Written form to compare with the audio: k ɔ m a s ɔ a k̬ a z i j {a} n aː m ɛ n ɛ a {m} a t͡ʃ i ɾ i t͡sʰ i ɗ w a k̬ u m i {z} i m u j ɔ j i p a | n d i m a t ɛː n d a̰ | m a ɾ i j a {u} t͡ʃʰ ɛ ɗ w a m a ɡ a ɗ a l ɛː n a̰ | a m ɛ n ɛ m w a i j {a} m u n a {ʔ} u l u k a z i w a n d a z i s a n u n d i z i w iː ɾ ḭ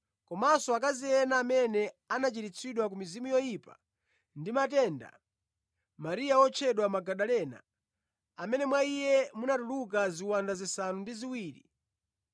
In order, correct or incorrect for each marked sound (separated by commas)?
incorrect, incorrect, correct, incorrect, incorrect, incorrect